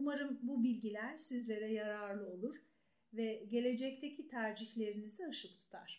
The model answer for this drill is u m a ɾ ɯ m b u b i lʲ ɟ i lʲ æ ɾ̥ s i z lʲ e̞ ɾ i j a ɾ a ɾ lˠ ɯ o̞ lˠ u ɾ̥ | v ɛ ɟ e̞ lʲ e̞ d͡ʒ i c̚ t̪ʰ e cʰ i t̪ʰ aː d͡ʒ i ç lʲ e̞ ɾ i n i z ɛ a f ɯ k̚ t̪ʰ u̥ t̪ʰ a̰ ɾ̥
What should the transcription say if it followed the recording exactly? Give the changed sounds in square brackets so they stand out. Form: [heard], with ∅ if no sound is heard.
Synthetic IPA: u m a ɾ ɯ m b u b i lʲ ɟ i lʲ æ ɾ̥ s i z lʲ e̞ ɾ [ɛ] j a ɾ a ɾ lˠ ɯ o̞ lˠ u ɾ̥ | v ɛ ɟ e̞ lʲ e̞ d͡ʒ [ɛ] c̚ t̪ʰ e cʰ i t̪ʰ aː d͡ʒ i ç lʲ e̞ ɾ i n i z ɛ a [ʃ] ɯ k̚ t̪ʰ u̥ t̪ʰ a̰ ɾ̥